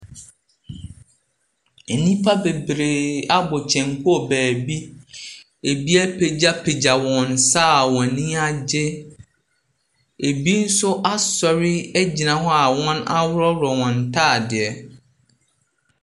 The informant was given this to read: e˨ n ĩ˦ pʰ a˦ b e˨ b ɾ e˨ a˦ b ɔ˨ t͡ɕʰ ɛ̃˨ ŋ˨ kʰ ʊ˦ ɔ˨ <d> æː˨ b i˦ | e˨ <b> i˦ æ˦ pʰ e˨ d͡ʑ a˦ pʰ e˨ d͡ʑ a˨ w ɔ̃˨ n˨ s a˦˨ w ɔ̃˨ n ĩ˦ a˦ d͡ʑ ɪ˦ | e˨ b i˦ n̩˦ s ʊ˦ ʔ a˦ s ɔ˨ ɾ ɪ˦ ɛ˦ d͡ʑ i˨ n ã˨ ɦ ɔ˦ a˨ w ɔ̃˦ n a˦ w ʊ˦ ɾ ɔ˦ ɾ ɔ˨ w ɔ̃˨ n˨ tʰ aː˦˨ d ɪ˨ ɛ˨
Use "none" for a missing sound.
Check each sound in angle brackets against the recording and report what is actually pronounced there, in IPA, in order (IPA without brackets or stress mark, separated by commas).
b, b